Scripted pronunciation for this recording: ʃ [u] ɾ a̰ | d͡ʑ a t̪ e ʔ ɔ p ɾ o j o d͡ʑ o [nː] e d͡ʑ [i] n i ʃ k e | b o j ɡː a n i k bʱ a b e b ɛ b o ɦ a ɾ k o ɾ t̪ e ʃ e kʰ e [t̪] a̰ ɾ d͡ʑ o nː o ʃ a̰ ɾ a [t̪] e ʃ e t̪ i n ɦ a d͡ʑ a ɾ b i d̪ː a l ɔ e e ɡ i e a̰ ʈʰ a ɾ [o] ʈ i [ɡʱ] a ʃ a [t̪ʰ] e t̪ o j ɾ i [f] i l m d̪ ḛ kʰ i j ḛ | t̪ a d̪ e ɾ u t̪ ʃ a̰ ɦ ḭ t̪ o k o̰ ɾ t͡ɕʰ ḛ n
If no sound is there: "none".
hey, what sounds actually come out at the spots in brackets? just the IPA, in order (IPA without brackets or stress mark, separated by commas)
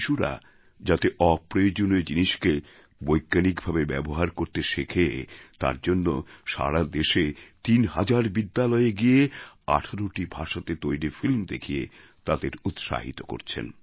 u, n, i, t̪, d̪, o, bʱ, t̪, f